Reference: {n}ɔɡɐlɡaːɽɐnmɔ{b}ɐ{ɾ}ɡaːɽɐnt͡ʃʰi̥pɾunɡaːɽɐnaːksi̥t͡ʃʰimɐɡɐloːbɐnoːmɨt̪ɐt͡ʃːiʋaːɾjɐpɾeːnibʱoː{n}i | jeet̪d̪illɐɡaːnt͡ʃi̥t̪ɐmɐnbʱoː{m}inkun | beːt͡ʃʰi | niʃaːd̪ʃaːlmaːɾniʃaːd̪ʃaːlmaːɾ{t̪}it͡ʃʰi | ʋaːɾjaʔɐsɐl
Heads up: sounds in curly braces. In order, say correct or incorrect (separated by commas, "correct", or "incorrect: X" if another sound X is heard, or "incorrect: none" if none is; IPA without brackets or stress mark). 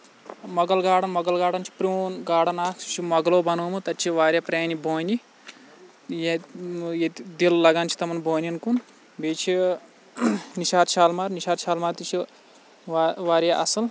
incorrect: m, incorrect: ɡ, incorrect: l, correct, incorrect: n, correct